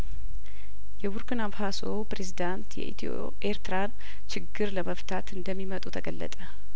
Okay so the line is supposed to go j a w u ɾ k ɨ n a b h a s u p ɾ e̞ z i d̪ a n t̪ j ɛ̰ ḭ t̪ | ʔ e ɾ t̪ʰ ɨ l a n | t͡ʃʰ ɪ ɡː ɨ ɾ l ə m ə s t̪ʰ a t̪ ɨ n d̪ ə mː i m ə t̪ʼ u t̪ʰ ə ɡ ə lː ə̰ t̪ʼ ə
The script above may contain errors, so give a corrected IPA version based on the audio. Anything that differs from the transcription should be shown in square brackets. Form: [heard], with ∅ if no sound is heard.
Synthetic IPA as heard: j [ɛ] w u ɾ k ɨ n a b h a s [o] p ɾ e̞ z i d̪ a n t̪ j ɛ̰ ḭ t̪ | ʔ e ɾ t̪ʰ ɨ [ɾ] a n | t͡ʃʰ ɪ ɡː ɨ ɾ l ə m ə [f] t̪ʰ a t̪ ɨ n d̪ ə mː i m ə t̪ʼ u t̪ʰ ə ɡ ə lː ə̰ t̪ʼ ə